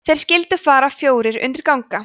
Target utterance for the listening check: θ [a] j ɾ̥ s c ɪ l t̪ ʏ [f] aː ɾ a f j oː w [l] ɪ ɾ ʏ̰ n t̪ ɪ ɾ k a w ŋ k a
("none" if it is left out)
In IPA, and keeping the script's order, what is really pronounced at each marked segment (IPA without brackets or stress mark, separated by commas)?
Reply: e, f, ɾ